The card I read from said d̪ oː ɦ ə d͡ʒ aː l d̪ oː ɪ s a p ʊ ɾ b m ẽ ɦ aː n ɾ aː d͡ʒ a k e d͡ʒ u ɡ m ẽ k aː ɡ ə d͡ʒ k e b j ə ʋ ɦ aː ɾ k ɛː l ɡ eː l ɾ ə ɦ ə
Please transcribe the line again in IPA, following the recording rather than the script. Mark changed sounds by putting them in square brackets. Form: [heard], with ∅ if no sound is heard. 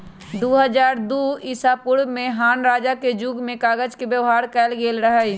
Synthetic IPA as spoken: d̪ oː ɦ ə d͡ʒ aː [ɾ] d̪ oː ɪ s a p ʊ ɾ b m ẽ ɦ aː n ɾ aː d͡ʒ a k e d͡ʒ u ɡ m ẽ k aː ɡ ə d͡ʒ k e b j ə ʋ ɦ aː ɾ k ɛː l ɡ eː l ɾ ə ɦ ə